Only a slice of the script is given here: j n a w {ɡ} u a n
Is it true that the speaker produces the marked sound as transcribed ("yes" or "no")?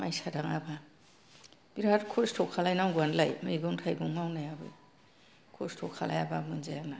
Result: yes